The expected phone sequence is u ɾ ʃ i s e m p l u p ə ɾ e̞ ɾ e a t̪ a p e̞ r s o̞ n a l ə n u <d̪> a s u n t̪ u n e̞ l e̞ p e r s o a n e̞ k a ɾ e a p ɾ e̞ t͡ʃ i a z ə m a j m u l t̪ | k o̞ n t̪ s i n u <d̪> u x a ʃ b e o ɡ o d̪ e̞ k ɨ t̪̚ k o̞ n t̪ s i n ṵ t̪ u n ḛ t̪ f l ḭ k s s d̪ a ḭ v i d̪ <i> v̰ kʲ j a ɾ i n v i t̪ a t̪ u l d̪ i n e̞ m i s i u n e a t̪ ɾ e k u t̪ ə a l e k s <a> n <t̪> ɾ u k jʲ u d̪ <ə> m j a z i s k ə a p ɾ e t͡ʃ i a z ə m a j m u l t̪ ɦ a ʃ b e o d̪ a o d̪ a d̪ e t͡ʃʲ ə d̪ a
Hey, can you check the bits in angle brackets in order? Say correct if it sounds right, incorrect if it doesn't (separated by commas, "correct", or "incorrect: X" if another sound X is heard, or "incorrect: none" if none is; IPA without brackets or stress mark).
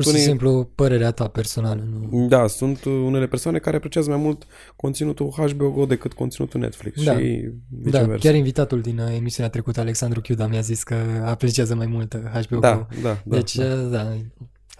correct, incorrect: t̪, incorrect: a, correct, incorrect: d̪, incorrect: a